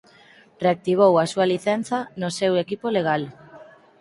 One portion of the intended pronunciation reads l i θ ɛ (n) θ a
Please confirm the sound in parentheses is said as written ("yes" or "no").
yes